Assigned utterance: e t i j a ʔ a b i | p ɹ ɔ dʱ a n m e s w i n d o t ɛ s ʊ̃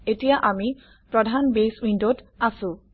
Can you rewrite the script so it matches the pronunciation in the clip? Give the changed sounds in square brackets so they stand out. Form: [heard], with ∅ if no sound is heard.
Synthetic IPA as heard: e t i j a ʔ a [m] i | p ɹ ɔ dʱ a n [b] e s w i n d o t [a] s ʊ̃